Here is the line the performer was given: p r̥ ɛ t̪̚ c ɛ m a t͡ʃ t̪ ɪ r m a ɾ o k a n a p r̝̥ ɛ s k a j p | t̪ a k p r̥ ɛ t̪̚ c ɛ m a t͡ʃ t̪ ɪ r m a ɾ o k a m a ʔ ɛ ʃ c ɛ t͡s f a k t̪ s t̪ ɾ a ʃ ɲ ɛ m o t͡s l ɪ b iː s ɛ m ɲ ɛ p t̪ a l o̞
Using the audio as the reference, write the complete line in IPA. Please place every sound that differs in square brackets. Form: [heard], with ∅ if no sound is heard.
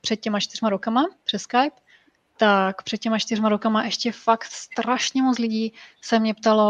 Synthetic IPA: p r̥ ɛ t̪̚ c ɛ m a t͡ʃ t̪ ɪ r m a ɾ o k a [m] a p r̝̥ ɛ s k a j p | t̪ a k p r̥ ɛ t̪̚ c ɛ m a t͡ʃ t̪ ɪ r m a ɾ o k a m a ʔ ɛ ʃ c ɛ [∅] f a k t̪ s t̪ ɾ a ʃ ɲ ɛ m o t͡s l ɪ [ɟ] iː s ɛ m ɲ ɛ p t̪ a l o̞